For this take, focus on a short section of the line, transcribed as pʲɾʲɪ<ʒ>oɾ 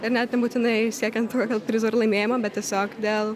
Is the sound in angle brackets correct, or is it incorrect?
incorrect